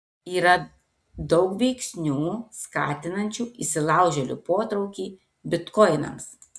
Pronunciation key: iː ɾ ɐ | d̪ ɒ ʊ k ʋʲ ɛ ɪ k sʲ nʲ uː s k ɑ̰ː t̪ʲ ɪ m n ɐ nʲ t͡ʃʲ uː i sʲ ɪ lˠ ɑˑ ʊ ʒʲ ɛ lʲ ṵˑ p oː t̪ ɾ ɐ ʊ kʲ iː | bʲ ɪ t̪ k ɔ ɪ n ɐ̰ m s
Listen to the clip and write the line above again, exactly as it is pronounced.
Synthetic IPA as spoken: iː ɾ ɐ | d̪ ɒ ʊ k ʋʲ ɛ ɪ k sʲ nʲ uː s k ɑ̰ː t̪ʲ ɪ n ɐ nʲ t͡ʃʲ uː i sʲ ɪ lˠ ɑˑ ʊ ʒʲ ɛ lʲ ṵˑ p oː t̪ ɾ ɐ ʊ kʲ iː | bʲ ɪ t̪ k ɔ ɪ n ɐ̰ m s